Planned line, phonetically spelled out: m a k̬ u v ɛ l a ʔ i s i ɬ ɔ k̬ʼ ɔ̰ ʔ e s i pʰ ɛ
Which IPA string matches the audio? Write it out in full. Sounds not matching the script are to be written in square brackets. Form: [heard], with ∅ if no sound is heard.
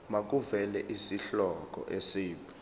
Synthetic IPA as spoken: m a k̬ u v ɛ l [ɛ] ʔ i s i ɬ ɔ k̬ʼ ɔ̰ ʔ e s [iː] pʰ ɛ